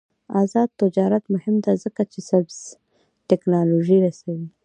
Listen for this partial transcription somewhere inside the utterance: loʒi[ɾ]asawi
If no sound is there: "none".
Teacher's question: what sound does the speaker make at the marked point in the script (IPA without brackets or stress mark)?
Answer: ɾ